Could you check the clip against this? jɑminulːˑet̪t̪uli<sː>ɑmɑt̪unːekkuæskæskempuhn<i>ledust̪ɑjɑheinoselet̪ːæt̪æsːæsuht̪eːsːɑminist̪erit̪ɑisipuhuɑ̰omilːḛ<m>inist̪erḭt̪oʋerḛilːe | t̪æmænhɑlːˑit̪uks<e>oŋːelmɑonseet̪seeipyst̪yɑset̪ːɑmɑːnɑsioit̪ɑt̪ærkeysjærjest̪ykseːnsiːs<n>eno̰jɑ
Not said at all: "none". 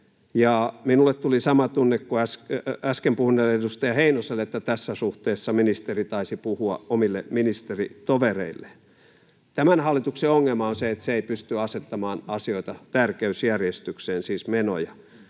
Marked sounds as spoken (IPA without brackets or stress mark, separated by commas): s, e, m, e, m